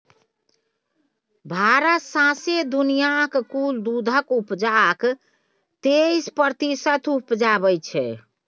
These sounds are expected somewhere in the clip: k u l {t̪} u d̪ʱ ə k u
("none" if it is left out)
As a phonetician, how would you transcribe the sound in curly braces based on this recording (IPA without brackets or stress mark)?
d̪